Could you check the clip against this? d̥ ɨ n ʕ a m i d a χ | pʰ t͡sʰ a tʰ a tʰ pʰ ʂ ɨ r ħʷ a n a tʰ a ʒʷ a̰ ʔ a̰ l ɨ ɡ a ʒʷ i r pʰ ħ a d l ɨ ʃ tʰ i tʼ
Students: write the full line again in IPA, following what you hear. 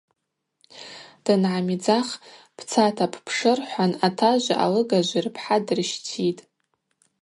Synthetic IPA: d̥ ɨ n ʕ a m i d͡z a χ | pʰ t͡sʰ a tʰ a pʰ pʰ ʂ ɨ r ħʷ a n a tʰ a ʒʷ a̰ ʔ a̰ l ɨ ɡ a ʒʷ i r pʰ ħ a d r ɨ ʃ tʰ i tʼ